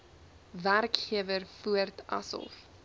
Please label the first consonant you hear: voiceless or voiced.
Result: voiced